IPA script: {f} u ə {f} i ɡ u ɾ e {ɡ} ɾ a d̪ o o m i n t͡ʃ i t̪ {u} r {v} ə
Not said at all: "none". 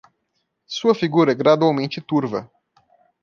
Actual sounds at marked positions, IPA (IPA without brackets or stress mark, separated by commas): s, f, ɡ, u, v